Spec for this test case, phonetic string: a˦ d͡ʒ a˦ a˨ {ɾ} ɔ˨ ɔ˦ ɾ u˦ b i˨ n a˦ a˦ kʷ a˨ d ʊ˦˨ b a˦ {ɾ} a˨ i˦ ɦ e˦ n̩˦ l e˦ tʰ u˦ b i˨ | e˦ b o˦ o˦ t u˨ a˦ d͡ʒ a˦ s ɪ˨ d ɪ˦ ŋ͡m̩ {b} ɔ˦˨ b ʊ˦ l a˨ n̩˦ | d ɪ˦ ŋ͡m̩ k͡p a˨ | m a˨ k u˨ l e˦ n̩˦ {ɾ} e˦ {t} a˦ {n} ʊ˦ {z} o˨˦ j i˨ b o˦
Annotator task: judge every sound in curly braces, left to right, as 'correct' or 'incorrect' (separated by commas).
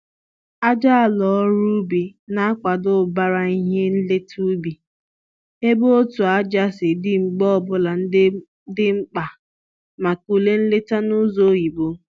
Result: incorrect, correct, incorrect, incorrect, correct, correct, correct